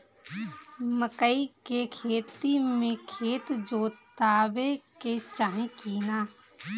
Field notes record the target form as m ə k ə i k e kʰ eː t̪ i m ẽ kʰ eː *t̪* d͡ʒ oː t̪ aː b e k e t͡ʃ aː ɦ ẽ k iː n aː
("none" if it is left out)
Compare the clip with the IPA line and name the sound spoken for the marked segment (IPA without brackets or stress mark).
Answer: t̪